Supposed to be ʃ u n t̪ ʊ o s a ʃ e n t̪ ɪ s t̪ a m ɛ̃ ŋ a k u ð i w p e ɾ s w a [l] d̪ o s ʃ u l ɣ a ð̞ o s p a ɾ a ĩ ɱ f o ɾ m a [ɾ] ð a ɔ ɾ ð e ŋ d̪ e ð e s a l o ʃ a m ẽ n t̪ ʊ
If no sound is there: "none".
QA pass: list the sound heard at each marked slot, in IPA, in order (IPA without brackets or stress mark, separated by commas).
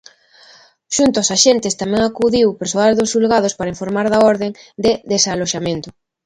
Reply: l, ɾ